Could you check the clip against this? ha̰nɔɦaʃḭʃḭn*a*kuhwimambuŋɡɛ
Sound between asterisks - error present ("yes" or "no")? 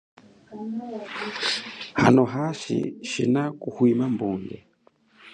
no